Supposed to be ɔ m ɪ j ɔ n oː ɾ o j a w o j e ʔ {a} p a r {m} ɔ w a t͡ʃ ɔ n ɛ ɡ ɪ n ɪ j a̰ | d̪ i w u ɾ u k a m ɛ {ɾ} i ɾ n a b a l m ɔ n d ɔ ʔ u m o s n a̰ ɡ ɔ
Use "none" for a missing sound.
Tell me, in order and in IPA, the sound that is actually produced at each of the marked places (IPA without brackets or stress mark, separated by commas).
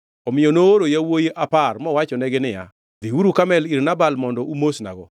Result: a, m, l